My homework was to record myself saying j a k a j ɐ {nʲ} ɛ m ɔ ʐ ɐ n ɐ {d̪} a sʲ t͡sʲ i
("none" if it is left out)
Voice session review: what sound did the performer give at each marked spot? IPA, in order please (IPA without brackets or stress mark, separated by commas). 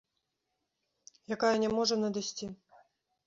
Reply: nʲ, d̪